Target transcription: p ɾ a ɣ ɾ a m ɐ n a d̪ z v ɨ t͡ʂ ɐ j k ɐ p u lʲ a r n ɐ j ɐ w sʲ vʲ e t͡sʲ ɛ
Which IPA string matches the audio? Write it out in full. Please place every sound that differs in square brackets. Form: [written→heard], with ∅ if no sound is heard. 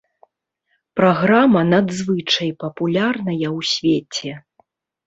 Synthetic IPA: p ɾ a ɣ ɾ a m ɐ n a d̪ z v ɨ t͡ʂ ɐ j [k→p] ɐ p u lʲ a r n ɐ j ɐ w sʲ vʲ e t͡sʲ ɛ